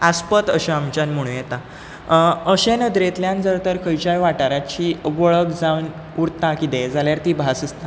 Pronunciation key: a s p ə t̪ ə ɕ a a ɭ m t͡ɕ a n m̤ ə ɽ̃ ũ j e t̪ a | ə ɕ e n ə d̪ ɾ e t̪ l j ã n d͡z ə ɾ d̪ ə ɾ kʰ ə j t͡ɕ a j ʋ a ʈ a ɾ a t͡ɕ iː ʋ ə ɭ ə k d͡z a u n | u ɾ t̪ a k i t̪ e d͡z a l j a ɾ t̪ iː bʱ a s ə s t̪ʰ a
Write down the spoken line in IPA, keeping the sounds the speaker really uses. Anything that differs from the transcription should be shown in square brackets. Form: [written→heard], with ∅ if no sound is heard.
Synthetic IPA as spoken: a s p ə t̪ ə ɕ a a [ɭ→∅] m t͡ɕ a n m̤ ə ɽ̃ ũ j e t̪ a | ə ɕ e n ə d̪ ɾ e t̪ l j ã n d͡z ə ɾ [d̪→t̪] ə ɾ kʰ ə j t͡ɕ a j ʋ a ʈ a ɾ a t͡ɕ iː ʋ ə ɭ ə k d͡z a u n | u ɾ t̪ a k i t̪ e d͡z a l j a ɾ t̪ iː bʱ a s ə s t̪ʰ a